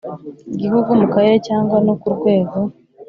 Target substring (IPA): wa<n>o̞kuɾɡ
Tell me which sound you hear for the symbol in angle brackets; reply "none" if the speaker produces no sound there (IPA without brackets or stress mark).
n